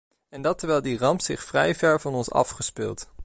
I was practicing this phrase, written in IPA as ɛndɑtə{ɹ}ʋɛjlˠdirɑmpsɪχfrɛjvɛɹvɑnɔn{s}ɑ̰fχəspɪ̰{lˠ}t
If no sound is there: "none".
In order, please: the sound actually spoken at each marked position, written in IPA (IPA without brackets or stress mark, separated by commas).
ɹ, s, lˠ